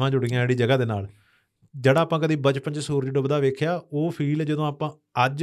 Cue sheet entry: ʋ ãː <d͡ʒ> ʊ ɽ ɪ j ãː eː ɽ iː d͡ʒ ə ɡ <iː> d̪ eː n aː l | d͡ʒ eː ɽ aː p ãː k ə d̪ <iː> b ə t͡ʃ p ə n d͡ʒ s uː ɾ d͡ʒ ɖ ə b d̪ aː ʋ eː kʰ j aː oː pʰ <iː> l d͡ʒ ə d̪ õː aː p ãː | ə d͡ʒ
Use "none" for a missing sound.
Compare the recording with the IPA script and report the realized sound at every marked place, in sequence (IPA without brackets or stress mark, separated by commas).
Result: d͡ʒ, aː, iː, iː